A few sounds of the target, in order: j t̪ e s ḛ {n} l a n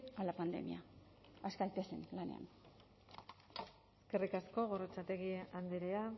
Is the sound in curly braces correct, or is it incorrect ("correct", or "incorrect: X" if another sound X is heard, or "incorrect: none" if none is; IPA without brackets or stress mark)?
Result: correct